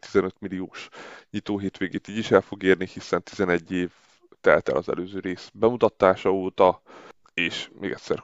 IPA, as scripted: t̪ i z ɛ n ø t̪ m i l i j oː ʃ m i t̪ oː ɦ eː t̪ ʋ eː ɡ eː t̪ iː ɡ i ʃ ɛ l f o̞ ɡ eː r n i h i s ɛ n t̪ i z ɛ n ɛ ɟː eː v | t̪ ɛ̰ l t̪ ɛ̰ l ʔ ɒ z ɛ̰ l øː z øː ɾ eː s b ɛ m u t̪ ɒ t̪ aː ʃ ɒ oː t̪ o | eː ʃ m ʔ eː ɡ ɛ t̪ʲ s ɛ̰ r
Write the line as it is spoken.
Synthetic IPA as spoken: t̪ i z ɛ n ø t̪ m i l i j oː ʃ ɲ i t̪ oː ɦ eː t̪ ʋ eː ɡ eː t̪ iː ɟ i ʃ ɛ l f o̞ ɡ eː r n i h i s ɛ n t̪ i z ɛ n ɛ ɟː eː v | t̪ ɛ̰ l t̪ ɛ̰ l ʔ ɒ z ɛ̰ l øː z øː ɾ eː s b ɛ m u t̪ ɒ t̪ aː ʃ ɒ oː t̪ ɒ | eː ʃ m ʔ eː ɡ ɛ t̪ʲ s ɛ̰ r